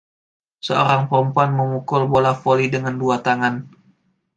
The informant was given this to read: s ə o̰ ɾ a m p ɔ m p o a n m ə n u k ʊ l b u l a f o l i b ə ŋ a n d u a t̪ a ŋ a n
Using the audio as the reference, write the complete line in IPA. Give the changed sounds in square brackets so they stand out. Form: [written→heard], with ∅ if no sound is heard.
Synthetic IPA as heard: s ə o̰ ɾ a [m→ŋ] p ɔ m p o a n m ə [n→m] u k ʊ l b [u→o] l a f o l i [b→d] ə ŋ a n d u a t̪ a ŋ a n